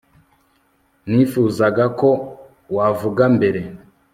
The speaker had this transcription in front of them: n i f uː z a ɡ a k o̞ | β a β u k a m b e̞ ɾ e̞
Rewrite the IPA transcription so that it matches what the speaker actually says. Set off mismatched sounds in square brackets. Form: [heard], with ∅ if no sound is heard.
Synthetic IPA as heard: n i f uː z a ɡ a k o̞ | [w] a [v] u [ɡ] a m b e̞ ɾ e̞